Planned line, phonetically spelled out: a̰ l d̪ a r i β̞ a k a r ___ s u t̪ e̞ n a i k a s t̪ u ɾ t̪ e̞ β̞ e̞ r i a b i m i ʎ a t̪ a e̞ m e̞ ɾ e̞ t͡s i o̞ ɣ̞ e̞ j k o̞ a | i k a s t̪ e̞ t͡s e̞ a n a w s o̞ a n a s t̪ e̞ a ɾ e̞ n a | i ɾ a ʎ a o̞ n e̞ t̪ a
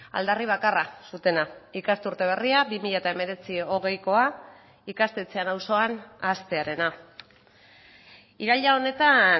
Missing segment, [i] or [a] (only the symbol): a